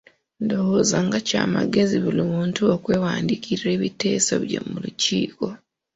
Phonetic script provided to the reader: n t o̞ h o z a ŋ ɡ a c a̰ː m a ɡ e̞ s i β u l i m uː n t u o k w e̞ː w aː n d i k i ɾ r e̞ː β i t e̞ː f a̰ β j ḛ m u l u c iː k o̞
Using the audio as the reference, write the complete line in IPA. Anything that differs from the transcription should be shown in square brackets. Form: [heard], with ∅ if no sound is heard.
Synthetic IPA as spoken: n [d] o̞ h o z a ŋ ɡ a c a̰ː m a ɡ e̞ [z] i β u l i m uː n t u o k w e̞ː w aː n d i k i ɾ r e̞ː β i t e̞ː [s] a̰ β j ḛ m u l u c iː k o̞